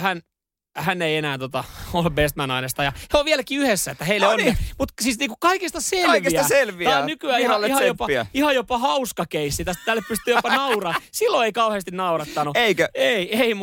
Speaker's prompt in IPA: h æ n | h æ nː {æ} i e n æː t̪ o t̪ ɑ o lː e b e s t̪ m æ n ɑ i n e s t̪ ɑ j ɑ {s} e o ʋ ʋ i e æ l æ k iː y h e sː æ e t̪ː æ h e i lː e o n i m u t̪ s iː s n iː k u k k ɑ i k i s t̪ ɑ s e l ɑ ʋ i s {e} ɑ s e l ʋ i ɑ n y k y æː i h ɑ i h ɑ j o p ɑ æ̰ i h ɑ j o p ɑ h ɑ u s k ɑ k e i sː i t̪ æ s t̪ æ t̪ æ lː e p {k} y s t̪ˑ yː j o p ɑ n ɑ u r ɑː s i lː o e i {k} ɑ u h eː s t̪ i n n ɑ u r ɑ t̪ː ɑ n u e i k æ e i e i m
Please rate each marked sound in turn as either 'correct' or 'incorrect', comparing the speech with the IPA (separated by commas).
incorrect, incorrect, incorrect, incorrect, correct